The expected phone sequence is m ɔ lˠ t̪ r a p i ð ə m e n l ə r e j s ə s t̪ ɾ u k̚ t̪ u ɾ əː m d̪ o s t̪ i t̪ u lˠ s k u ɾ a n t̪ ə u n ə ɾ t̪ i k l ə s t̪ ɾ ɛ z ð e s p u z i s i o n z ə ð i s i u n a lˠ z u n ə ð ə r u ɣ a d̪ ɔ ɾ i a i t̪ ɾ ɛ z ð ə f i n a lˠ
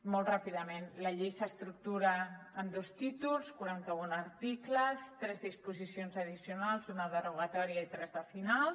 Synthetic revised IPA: m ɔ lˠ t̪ r a p i ð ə m e n l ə ʎ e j s ə s t̪ ɾ u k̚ t̪ u ɾ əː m d̪ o s t̪ i t̪ u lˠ s k u ɾ a n t̪ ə u n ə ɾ t̪ i k l ə s t̪ ɾ ɛ z ð i s p u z i s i o n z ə ð i s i u n a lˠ z u n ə ð ə r u ɣ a t̪ ɔ ɾ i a i t̪ ɾ ɛ z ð ə f i n a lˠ